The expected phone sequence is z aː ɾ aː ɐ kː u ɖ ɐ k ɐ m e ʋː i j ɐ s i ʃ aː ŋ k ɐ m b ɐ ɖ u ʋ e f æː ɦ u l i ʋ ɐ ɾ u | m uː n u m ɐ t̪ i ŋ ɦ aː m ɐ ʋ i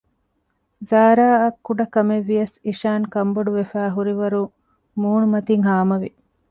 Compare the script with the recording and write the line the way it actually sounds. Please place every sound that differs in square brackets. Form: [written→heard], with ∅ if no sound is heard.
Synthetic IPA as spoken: z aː ɾ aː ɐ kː u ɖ ɐ k ɐ m e ʋː i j ɐ s i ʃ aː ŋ k ɐ m b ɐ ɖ u ʋ e f æː ɦ u [l→ɾ] i ʋ ɐ ɾ u | m uː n u m ɐ t̪ i ŋ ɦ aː m ɐ ʋ i